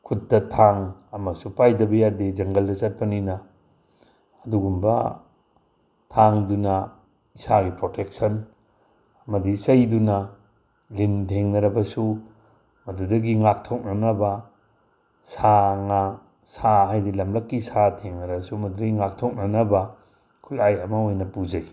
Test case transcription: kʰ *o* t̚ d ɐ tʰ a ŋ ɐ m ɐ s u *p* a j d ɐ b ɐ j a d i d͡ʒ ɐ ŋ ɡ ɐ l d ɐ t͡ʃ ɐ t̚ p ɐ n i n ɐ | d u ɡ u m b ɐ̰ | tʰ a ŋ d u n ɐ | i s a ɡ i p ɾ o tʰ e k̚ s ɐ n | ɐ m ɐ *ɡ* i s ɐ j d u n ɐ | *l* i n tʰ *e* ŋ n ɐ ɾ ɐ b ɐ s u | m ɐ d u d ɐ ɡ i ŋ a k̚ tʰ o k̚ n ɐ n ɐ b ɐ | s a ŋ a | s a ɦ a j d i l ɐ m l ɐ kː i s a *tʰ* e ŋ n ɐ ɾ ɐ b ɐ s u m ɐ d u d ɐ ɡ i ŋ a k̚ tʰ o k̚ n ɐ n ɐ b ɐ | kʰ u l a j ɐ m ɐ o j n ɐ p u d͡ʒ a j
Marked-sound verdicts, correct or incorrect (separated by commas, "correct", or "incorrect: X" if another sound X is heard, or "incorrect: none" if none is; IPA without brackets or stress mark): incorrect: u, correct, incorrect: d, correct, correct, correct